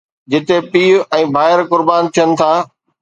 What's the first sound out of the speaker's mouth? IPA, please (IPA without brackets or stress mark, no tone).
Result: d͡ʑ